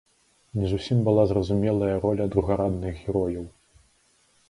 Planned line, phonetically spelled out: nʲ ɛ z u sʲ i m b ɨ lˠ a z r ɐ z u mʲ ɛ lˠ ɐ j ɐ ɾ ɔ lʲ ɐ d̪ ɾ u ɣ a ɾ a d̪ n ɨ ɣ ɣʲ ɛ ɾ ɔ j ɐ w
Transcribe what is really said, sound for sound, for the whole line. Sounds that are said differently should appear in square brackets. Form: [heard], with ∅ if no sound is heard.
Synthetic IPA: nʲ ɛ z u sʲ i m b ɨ lˠ a z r ɐ z u mʲ ɛ lˠ ɐ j ɐ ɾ ɔ lʲ ɐ d̪ ɾ u ɣ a ɾ a d̪ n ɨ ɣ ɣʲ ɛ ɾ ɔ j ɐ w

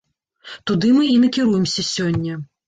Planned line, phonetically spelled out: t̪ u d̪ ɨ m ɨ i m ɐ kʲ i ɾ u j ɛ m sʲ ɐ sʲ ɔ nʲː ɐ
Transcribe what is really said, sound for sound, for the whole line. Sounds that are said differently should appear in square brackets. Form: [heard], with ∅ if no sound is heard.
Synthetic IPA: t̪ u d̪ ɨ m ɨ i [n] ɐ kʲ i ɾ u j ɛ m sʲ ɐ sʲ ɔ nʲː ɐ

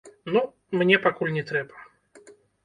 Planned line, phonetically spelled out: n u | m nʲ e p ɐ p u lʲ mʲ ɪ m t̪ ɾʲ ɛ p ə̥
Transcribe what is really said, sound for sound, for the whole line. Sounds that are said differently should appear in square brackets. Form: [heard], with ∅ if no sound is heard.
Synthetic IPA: n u | m nʲ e p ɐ [k] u lʲ [nʲ] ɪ [∅] t̪ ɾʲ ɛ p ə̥

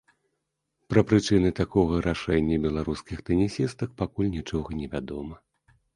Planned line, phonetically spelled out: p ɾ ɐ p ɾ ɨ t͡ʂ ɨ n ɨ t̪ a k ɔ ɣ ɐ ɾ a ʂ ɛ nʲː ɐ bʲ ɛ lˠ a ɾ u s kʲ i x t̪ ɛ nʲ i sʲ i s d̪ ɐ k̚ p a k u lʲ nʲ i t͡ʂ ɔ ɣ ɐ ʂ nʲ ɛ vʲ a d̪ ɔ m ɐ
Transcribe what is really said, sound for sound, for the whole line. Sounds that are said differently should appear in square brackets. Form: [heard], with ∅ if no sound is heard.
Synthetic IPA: p ɾ ɐ p ɾ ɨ t͡ʂ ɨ n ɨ t̪ a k ɔ ɣ ɐ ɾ a ʂ ɛ nʲː ɐ bʲ ɛ lˠ a ɾ u s kʲ i x t̪ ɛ nʲ i sʲ i s [t̪] ɐ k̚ p a k u lʲ nʲ i t͡ʂ ɔ ɣ ɐ [∅] nʲ ɛ vʲ a d̪ ɔ m ɐ

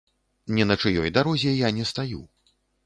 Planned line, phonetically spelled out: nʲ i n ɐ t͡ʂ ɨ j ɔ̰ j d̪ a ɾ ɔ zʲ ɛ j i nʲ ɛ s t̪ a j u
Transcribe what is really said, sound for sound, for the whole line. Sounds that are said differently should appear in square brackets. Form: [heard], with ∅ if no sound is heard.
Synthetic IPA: nʲ [ɛ] n ɐ t͡ʂ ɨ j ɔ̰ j d̪ a ɾ ɔ zʲ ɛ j [a] nʲ ɛ s t̪ a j u

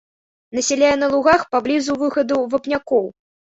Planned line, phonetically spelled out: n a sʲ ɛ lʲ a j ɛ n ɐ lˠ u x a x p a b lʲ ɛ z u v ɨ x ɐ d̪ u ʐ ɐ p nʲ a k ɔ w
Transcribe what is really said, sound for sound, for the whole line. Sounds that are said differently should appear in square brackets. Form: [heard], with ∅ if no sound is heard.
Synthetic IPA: n [ɐ] sʲ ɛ lʲ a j ɛ n ɐ lˠ u [ɣ] a x p a b lʲ [i] z u v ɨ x ɐ d̪ u [v] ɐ p nʲ a k ɔ w

